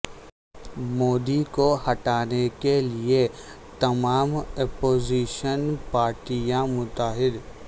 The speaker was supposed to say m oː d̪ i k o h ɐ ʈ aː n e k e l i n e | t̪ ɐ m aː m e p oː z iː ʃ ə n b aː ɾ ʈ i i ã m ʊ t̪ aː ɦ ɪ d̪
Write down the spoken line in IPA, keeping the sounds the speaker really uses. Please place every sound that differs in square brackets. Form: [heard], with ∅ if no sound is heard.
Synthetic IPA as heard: m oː d̪ i k o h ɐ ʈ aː n e k e l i [∅] e | t̪ ɐ m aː m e p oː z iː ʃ ə n [p] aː ɾ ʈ i [j] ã m ʊ t̪ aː ɦ ɪ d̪

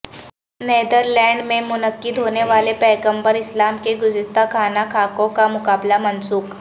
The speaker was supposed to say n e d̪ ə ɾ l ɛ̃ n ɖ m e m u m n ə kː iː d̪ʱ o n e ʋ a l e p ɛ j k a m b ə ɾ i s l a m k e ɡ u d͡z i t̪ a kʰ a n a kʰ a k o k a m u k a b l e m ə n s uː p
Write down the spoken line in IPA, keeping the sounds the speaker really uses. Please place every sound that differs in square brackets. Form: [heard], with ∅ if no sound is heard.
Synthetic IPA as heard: n e d̪ ə ɾ l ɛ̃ [ɳ] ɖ m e m u [∅] n ə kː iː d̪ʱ o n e ʋ a l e p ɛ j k [ə] m b ə ɾ i s l a m k e ɡ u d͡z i t̪ a kʰ a n a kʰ a k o k a m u k a b l [a] m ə n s uː [k]

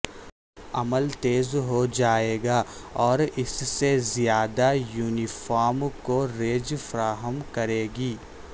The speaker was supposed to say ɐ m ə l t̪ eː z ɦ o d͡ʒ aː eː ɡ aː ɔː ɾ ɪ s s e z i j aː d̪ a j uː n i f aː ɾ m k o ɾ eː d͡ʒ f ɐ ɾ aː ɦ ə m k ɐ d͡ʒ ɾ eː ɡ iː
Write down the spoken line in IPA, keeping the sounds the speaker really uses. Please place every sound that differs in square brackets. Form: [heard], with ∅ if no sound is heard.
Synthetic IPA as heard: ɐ m ə l t̪ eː z ɦ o d͡ʒ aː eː ɡ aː ɔː ɾ ɪ s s e z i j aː d̪ a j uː n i f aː ɾ m k o ɾ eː d͡ʒ f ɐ ɾ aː ɦ ə m k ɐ [∅] ɾ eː ɡ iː

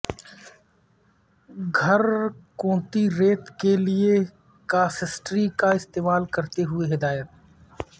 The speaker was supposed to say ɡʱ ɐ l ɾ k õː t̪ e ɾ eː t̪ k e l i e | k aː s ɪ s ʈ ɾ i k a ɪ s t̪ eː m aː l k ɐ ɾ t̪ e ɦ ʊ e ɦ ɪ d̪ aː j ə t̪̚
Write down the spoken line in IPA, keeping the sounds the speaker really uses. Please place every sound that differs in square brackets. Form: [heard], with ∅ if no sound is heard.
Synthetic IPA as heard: ɡʱ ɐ [∅] ɾ k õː t̪ [i] ɾ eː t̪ k e l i e | k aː s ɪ s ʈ ɾ i k a ɪ s t̪ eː m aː l k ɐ ɾ t̪ e ɦ ʊ e ɦ ɪ d̪ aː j ə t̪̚

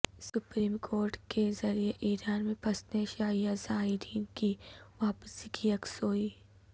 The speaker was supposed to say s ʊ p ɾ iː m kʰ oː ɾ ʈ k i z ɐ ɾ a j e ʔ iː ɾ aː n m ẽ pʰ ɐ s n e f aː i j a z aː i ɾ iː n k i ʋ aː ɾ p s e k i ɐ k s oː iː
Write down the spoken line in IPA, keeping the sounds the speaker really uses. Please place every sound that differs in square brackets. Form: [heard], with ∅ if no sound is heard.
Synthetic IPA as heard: s ʊ p ɾ iː m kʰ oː ɾ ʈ k [e] z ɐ ɾ [i] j e ʔ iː ɾ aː n m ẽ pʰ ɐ s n e [ʃ] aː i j a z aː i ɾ iː n k i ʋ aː [∅] p s [i] k i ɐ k s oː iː

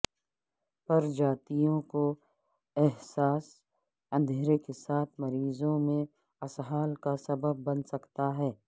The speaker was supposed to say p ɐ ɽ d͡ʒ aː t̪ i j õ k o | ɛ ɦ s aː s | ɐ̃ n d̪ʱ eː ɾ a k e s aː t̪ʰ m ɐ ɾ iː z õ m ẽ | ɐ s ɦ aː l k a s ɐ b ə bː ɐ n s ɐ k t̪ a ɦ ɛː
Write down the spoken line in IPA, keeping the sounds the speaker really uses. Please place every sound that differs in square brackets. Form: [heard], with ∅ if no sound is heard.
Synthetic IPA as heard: p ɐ [ɾ] d͡ʒ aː t̪ i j õ k o | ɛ ɦ s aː s | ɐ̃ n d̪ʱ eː ɾ [e] k e s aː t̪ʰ m ɐ ɾ iː z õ m ẽ | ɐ s ɦ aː l k a s ɐ b ə bː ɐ n s ɐ k t̪ a ɦ ɛː

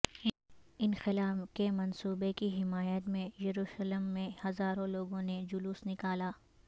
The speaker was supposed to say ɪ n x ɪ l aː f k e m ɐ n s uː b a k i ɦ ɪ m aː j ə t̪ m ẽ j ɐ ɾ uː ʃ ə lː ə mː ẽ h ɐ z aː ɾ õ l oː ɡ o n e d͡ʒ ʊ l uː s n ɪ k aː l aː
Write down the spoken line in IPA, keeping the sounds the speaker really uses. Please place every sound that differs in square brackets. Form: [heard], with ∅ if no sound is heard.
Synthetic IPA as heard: ɪ n x ɪ l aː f k e m ɐ n s uː b [e] k i ɦ ɪ m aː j ə t̪ m ẽ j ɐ ɾ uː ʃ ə [l] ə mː ẽ h ɐ z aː ɾ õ l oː ɡ [õ] n e d͡ʒ ʊ l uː s n ɪ k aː l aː

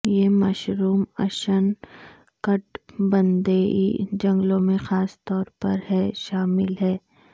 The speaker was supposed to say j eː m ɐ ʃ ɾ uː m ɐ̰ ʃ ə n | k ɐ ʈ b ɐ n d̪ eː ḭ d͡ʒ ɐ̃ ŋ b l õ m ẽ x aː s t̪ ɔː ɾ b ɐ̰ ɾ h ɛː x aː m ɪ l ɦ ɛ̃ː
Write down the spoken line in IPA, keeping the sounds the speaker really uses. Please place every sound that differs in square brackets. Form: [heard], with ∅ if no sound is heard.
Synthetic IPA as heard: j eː m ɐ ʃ ɾ uː m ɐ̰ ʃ ə n | k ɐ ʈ b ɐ n d̪ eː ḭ d͡ʒ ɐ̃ ŋ [ɡ] l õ m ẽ x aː s t̪ ɔː ɾ [p] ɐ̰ ɾ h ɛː [ʃ] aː m ɪ l ɦ [ɛː]

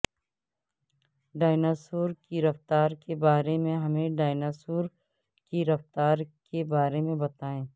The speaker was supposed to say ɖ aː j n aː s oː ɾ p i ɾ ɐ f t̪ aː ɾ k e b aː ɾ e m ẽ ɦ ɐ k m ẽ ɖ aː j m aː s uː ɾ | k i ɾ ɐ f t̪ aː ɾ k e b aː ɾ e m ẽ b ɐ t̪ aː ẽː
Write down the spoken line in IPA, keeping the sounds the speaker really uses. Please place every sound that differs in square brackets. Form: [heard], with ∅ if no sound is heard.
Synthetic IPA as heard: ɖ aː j n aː s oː ɾ [k] i ɾ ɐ f t̪ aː ɾ k e b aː ɾ e m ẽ ɦ ɐ [∅] m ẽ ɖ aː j [n] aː s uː ɾ | k i ɾ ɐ f t̪ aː ɾ k e b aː ɾ e m ẽ b ɐ t̪ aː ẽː

